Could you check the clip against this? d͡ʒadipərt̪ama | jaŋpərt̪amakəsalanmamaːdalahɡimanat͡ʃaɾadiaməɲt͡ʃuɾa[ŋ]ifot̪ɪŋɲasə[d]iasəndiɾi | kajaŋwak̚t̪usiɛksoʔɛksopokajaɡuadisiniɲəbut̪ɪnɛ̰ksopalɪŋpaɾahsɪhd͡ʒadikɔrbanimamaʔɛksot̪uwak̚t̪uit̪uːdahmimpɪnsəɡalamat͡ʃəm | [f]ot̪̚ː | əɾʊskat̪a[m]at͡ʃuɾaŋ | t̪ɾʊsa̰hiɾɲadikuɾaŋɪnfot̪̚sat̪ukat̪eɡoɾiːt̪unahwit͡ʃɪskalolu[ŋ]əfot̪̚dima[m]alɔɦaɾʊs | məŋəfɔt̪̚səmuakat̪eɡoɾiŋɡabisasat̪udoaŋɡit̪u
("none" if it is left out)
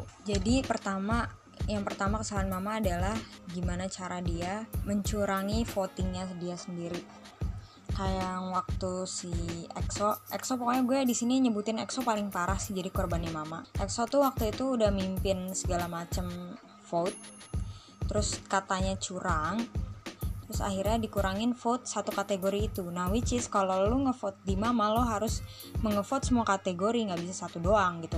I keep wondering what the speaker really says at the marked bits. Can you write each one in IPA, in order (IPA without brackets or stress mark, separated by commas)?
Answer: ŋ, d, f, ɲ, ŋ, m